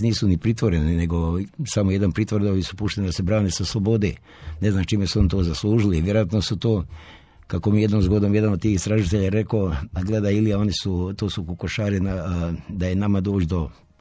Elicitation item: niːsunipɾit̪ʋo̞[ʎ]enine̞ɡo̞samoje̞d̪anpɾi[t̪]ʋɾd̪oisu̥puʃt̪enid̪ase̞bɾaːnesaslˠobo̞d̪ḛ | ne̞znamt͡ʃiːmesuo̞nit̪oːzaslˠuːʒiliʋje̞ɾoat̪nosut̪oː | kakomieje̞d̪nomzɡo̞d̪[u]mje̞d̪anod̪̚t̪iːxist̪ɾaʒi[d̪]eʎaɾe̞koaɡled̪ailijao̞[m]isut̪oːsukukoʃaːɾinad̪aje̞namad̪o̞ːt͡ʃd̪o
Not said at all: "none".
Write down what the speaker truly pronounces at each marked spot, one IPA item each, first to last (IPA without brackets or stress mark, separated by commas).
ɾ, t̪, o, t̪, n